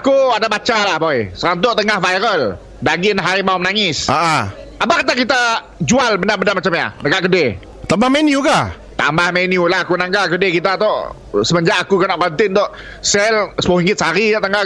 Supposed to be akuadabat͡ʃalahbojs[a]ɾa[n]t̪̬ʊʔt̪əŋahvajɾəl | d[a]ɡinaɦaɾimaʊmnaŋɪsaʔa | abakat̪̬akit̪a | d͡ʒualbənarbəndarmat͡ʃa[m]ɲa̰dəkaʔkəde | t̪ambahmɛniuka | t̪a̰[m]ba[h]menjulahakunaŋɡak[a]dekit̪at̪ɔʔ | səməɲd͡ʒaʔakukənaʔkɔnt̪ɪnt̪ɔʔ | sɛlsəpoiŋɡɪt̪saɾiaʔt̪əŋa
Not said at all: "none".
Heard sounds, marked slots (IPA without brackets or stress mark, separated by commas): ə, n, a, m, m, h, ə